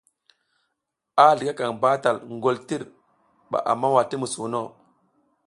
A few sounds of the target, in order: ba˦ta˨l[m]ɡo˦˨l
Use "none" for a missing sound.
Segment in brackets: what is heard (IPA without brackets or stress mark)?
ŋ